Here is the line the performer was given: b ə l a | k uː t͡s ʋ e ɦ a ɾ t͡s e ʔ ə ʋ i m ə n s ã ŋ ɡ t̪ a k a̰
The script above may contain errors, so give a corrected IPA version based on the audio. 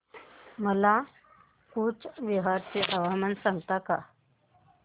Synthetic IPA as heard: m ə l a | k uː t͡s ʋ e ɦ a ɾ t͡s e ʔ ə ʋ a m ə n s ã ŋ ɡ t̪ a k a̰